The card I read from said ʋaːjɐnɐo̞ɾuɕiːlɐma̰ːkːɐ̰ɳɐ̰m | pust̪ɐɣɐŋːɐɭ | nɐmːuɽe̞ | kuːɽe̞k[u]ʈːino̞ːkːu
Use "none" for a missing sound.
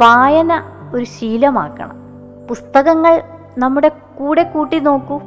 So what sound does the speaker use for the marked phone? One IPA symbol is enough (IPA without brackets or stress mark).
uː